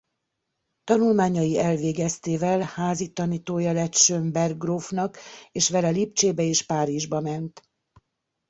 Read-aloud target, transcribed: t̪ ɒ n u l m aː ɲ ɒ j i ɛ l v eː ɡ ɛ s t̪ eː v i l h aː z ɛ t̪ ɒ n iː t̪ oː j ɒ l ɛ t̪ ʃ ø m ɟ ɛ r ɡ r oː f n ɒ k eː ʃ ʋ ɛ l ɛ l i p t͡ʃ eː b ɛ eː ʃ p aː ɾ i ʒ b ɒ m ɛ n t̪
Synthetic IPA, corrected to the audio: t̪ ɒ n u l m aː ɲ ɒ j i ɛ l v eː ɡ ɛ s t̪ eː v ɛ l h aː z i t̪ ɒ n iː t̪ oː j ɒ l ɛ t̪ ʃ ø m b ɛ r ɡ r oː f n ɒ k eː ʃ ʋ ɛ l ɛ l i p t͡ʃ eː b ɛ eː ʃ p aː ɾ i ʒ b ɒ m ɛ n t̪